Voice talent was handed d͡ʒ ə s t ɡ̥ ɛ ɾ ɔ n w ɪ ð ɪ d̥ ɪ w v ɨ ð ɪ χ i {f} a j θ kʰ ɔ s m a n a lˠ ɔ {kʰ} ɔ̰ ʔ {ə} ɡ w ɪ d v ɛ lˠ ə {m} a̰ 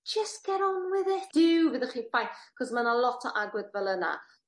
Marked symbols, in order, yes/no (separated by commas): yes, no, no, no